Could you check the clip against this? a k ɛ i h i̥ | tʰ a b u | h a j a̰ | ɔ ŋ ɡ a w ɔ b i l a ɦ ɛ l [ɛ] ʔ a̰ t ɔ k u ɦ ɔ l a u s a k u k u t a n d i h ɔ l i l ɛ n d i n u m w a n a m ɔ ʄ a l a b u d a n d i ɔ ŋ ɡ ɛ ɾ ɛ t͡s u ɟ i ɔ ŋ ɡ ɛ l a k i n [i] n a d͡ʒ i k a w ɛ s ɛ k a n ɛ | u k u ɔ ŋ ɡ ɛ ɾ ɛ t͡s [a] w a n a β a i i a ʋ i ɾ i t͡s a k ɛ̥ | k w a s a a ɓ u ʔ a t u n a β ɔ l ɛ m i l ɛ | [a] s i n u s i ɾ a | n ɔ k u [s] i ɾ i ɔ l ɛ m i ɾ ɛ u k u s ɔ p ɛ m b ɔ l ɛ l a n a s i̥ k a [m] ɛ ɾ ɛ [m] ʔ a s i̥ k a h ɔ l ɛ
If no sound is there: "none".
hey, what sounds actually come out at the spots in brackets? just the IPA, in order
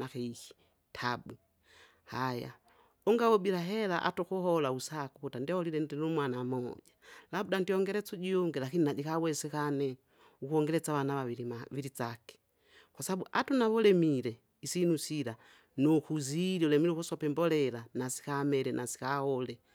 a, i, a, i, z, m, n

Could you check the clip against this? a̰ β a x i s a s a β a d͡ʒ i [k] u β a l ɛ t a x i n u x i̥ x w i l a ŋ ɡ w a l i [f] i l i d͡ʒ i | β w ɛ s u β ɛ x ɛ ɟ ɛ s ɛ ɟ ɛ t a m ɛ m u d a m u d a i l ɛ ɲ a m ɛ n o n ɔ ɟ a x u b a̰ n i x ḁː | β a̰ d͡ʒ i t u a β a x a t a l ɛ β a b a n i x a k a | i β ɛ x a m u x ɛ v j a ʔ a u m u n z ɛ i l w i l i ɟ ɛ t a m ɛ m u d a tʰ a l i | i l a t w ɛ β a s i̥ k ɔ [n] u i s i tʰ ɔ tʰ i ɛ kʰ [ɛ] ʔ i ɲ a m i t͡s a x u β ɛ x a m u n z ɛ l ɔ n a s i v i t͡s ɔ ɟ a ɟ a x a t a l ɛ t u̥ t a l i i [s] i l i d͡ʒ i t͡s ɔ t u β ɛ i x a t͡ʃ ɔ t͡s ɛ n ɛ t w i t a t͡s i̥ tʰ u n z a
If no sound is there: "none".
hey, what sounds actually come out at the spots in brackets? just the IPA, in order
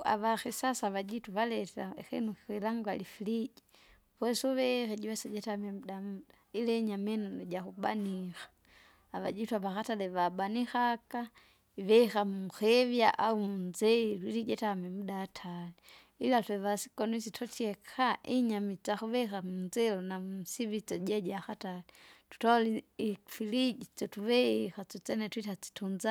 t, f, n, a, f

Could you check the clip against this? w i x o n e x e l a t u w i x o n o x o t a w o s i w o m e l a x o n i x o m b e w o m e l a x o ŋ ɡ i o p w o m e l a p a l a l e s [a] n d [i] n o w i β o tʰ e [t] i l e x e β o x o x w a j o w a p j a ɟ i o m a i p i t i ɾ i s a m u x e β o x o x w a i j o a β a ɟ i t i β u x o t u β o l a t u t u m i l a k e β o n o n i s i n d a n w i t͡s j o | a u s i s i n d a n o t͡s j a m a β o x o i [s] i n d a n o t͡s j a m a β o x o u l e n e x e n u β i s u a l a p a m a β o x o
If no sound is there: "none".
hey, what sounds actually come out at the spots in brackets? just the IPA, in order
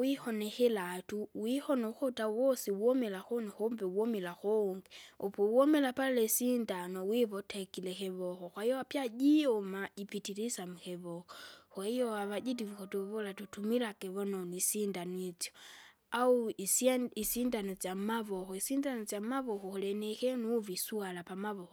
i, a, k, s

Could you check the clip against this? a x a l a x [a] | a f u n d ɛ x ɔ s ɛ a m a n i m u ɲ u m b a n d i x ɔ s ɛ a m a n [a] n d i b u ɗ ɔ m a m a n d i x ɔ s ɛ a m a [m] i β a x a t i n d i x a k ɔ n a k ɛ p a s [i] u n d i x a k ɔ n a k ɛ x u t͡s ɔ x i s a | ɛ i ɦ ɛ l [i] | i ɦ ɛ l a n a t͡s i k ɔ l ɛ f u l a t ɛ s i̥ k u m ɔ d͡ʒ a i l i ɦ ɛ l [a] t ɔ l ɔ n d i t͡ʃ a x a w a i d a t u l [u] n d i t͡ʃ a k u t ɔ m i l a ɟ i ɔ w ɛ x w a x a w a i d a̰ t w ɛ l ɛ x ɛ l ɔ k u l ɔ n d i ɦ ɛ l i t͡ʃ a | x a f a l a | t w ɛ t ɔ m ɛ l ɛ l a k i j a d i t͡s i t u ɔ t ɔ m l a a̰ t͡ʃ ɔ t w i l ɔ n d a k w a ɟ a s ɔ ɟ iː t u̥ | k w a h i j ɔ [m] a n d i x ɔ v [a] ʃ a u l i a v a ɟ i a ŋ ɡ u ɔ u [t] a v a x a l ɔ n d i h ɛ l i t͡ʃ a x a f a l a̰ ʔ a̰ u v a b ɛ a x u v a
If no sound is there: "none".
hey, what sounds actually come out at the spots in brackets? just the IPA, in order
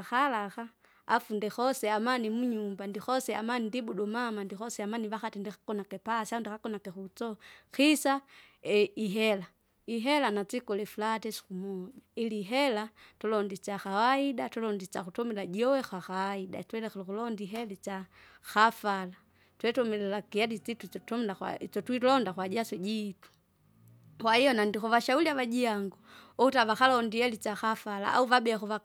a, i, n, a, a, a, ɔ, n, a, t

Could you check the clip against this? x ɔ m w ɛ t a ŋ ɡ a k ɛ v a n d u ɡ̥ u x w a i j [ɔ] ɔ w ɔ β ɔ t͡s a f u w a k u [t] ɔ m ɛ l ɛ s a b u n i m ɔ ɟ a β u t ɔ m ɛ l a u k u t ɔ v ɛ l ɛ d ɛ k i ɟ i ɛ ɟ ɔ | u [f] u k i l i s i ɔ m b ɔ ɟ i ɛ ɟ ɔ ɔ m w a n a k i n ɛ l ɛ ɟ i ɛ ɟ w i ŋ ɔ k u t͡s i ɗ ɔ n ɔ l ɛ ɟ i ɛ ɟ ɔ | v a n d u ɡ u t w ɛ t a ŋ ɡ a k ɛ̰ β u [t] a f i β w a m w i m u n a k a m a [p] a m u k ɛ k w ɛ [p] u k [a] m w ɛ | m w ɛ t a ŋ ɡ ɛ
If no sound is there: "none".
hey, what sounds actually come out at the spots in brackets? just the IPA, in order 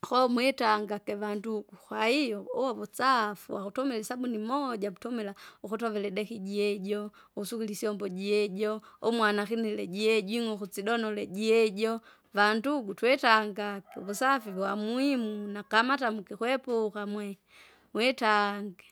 ɔ, t, s, s, t, p, a

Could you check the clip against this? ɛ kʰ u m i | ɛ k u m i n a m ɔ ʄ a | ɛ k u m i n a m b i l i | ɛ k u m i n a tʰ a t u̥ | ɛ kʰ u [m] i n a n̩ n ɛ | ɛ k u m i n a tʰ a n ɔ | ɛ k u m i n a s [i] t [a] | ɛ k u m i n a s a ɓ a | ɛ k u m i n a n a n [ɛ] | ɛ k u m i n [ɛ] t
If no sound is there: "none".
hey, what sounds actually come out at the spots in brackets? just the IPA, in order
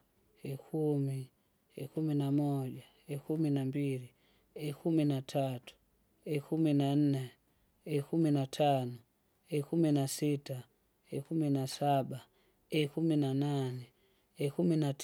m, i, a, ɛ, a

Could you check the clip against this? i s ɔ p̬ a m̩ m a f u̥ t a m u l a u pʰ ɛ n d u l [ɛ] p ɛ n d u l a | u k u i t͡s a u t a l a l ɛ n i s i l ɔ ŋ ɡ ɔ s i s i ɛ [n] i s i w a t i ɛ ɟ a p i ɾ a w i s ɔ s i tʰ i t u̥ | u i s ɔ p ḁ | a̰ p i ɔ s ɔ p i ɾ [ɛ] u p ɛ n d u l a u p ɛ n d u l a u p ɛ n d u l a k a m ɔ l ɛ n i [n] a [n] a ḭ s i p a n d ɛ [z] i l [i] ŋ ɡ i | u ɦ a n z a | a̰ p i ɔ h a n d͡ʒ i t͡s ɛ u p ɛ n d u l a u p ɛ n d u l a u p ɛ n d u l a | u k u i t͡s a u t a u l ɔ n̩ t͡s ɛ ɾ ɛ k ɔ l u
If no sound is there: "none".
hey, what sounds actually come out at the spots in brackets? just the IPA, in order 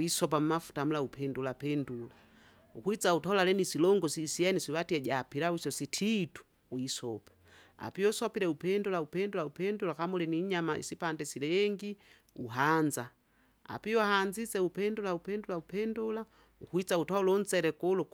a, n, ɛ, ɲ, m, s, ɛ

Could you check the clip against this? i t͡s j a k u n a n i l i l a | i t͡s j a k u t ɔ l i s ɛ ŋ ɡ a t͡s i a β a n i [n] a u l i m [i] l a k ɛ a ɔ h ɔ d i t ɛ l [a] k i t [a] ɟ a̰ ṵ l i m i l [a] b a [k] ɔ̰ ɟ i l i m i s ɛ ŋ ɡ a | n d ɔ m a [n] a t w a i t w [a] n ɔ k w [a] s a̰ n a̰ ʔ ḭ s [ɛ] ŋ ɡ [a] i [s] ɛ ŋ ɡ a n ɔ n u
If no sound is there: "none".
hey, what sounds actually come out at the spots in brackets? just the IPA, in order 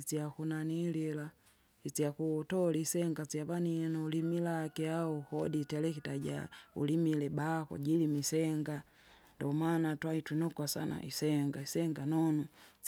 n, i, ɛ, a, ɛ, k, n, i, a, ɛ, a, s

